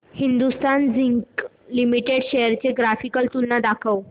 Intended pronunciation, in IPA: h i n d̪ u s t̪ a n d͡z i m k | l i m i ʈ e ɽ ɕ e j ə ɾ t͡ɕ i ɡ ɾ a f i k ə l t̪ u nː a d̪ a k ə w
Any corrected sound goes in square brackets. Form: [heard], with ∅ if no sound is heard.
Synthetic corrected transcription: h i n d̪ u s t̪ a n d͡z i [ŋ] k | l i m i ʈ e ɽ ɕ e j ə ɾ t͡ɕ [e] ɡ ɾ a f i k ə l t̪ u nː a d̪ a [kʰ] ə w